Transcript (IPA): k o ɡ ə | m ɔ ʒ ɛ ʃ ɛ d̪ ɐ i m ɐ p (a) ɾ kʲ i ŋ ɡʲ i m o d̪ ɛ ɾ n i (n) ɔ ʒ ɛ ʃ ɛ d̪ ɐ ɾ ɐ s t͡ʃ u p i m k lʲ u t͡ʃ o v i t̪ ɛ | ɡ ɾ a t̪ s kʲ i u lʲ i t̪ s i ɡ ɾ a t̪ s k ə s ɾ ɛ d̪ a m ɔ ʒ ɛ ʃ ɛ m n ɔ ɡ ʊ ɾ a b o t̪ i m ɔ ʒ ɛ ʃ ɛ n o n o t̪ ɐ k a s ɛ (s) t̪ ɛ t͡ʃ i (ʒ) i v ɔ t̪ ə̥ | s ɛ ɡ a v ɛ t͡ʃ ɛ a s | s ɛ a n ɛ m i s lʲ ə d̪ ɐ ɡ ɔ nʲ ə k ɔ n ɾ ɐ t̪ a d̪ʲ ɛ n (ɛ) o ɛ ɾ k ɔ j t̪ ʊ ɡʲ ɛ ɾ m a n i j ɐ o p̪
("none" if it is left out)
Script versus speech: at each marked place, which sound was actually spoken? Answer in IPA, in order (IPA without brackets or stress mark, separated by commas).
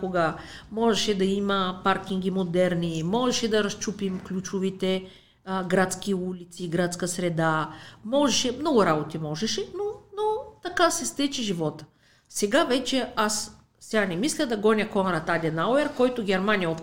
a, m, s, ʒ, a